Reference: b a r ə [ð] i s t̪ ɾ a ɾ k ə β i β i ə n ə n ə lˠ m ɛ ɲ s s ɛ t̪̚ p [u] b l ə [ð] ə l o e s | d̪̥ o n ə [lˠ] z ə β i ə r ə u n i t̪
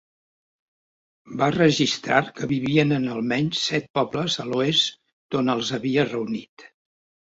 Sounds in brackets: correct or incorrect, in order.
incorrect: ʒ, incorrect: ɔ, incorrect: z, correct

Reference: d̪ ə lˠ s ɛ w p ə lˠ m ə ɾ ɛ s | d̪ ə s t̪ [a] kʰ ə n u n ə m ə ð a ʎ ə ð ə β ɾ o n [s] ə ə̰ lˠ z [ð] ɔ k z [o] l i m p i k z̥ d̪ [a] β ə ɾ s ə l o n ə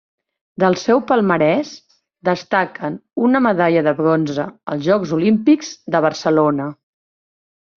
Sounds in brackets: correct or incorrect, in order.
correct, incorrect: z, incorrect: ʒ, incorrect: u, incorrect: ə

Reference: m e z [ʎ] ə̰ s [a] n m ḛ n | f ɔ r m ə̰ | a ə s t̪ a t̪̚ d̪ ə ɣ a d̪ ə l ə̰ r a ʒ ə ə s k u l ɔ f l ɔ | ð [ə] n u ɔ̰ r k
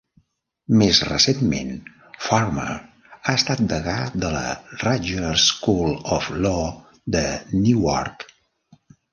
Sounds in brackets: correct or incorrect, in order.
incorrect: r, incorrect: e, correct

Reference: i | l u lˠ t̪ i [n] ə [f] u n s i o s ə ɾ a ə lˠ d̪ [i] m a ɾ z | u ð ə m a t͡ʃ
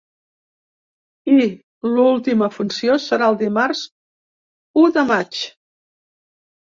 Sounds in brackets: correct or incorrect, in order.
incorrect: m, correct, correct

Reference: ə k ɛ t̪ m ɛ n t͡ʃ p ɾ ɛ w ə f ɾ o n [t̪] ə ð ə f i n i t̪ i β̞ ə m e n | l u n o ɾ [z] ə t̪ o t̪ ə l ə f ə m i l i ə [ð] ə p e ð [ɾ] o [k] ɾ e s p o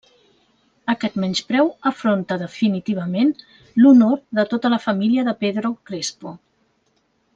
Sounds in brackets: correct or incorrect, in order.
correct, incorrect: ð, correct, correct, correct

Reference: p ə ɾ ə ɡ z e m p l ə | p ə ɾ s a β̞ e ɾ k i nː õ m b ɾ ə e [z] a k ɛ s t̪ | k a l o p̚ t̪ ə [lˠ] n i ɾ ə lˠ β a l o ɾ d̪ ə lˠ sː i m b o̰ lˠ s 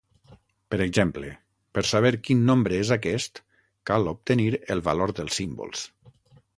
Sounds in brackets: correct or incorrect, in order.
correct, incorrect: none

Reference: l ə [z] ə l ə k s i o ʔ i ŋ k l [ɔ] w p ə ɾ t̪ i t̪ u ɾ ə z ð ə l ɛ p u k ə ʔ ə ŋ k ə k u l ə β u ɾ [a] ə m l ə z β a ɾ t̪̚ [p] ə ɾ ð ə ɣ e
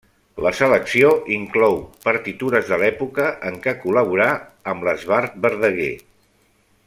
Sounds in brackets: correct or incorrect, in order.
incorrect: s, correct, correct, incorrect: b

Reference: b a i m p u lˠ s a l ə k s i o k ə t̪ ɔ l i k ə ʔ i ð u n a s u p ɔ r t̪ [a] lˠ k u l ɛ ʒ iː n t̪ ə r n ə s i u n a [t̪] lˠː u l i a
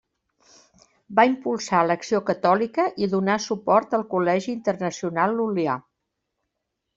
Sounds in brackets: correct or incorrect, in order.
incorrect: ə, incorrect: none

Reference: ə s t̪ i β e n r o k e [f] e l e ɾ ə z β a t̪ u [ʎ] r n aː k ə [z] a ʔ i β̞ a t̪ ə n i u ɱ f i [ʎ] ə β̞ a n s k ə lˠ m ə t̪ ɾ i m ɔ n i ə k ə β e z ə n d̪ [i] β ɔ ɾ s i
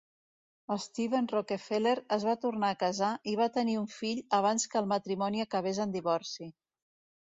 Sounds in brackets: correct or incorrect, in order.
correct, incorrect: none, correct, correct, correct

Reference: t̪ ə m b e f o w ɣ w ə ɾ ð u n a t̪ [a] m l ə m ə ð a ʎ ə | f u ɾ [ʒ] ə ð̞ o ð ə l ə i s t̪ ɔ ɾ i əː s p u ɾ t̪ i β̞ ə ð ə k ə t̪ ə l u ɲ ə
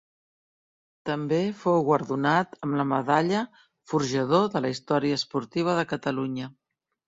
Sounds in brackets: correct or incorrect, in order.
incorrect: ə, correct

